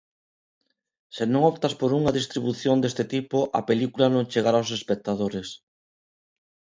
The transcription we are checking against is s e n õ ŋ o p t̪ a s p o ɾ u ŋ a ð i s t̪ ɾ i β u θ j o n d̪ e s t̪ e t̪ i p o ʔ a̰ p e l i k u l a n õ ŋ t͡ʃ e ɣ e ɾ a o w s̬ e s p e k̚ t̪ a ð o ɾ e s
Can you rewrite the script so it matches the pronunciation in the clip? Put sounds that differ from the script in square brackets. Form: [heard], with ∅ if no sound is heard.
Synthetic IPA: s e n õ ŋ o p t̪ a s p o ɾ u ŋ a ð i s t̪ ɾ i β u θ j o n d̪ e s t̪ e t̪ i p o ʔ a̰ p e l i k u l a n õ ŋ t͡ʃ e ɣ [a] ɾ a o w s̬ e s p e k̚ t̪ a ð o ɾ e s